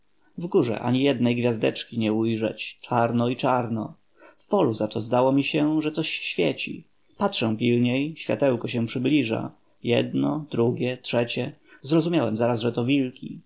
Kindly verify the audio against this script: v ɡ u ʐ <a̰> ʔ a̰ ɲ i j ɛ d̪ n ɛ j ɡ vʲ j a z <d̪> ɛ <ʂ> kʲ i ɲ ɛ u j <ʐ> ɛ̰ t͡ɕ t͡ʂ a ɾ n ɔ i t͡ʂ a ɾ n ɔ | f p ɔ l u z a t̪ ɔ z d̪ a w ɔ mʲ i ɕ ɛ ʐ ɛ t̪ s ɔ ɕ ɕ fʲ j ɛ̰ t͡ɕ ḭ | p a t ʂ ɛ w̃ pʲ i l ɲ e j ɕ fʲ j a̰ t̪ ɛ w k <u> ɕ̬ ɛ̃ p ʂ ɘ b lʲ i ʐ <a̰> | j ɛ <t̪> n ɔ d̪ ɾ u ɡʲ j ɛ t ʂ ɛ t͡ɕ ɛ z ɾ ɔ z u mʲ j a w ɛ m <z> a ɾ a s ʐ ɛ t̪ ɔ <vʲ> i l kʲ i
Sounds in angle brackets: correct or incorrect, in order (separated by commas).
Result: incorrect, correct, incorrect, correct, incorrect, correct, incorrect, correct, correct